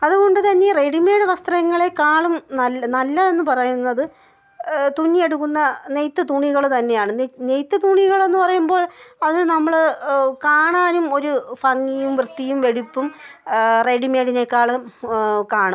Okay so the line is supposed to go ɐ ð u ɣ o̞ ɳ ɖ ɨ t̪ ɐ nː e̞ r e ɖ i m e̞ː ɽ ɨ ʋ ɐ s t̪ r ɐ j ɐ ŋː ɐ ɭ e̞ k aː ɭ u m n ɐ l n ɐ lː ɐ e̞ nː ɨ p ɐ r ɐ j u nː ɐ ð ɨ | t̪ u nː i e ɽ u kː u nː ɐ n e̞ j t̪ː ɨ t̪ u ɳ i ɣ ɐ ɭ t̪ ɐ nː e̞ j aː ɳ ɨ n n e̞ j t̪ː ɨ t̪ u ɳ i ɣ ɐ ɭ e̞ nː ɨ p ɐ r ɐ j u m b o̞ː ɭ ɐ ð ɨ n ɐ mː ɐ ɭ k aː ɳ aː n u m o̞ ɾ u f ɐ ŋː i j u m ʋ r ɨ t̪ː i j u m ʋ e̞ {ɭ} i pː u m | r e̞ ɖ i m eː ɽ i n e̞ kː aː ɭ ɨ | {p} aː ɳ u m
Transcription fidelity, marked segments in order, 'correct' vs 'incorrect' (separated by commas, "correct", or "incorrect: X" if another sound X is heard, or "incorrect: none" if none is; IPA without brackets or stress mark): incorrect: ɽ, incorrect: k